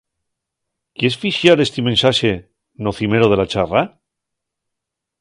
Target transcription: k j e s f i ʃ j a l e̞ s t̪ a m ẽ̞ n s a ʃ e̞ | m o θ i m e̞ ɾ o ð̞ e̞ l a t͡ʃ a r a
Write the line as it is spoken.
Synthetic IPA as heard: k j e s f i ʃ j a ɾ e̞ s t̪ i m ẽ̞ n s a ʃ e̞ | n o θ i m e̞ ɾ o ð̞ e̞ l a t͡ʃ a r a